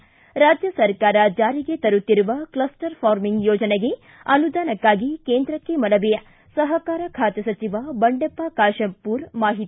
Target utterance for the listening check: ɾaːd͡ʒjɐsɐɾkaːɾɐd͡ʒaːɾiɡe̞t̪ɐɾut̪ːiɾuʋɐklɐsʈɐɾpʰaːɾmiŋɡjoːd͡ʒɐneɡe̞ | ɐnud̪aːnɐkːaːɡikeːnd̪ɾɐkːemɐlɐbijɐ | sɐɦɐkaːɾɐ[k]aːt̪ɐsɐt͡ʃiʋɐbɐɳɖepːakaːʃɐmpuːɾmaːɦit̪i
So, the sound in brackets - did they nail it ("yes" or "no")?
no